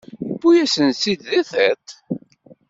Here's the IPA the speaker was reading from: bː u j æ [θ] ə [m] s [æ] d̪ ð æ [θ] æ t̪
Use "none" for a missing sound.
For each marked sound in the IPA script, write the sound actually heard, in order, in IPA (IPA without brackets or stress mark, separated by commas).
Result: s, n, i, θ